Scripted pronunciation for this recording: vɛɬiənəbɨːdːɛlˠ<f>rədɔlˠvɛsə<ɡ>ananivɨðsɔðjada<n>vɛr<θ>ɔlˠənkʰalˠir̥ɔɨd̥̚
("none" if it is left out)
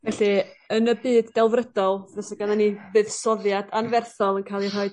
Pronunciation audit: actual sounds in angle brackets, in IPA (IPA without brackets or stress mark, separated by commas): v, ɡ, n, θ